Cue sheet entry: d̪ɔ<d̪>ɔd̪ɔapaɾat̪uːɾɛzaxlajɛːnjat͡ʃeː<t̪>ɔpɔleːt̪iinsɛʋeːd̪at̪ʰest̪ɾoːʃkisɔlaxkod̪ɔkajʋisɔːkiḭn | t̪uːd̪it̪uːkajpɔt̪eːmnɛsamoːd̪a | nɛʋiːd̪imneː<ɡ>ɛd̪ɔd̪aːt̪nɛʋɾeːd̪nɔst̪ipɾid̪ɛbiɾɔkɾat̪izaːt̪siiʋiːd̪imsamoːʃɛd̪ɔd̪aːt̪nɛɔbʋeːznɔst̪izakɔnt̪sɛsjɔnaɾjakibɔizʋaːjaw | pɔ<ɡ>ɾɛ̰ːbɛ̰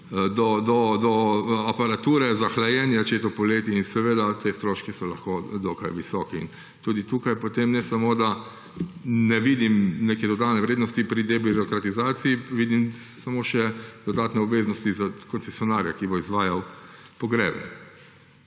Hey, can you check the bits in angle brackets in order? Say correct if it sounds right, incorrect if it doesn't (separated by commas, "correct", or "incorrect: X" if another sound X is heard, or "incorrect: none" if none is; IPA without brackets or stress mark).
correct, correct, incorrect: k, correct